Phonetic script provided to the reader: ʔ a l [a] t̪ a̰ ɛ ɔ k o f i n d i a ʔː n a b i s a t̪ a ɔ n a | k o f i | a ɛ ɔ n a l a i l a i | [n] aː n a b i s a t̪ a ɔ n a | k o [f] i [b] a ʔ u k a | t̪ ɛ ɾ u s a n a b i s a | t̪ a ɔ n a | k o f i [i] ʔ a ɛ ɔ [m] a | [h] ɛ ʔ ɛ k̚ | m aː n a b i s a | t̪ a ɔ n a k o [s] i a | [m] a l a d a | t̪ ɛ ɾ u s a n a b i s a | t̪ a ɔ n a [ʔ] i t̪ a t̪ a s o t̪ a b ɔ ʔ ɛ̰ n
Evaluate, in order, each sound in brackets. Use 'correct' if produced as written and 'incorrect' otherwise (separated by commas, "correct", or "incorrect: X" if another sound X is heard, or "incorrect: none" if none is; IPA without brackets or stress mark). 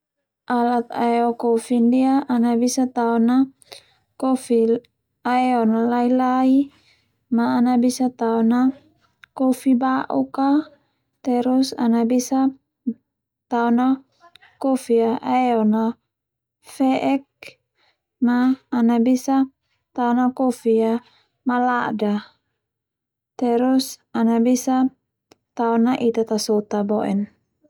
correct, incorrect: m, correct, correct, incorrect: a, incorrect: n, incorrect: f, incorrect: f, correct, correct